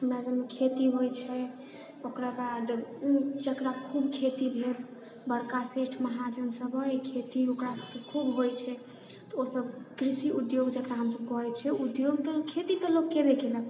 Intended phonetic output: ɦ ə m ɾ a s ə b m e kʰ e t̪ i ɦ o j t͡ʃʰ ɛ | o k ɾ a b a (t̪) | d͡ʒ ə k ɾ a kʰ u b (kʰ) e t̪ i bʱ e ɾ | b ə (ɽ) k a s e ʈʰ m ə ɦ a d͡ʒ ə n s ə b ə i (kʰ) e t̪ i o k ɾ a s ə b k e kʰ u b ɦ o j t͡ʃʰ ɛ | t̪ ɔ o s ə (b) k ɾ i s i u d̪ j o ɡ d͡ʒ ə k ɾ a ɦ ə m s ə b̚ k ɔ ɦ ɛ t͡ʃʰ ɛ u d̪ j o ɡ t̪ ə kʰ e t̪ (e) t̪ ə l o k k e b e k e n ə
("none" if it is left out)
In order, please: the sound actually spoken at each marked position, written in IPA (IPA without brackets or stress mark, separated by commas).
d̪, kʰ, ɽ, kʰ, b, i